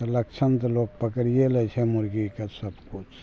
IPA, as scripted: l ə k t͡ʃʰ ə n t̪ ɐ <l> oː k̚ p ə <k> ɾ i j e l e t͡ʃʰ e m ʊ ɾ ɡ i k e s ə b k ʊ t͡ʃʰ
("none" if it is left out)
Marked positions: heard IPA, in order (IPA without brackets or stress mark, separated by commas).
l, k